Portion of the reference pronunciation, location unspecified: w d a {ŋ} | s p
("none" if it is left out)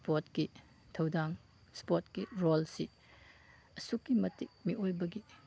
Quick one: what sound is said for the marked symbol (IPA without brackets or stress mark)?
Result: ŋ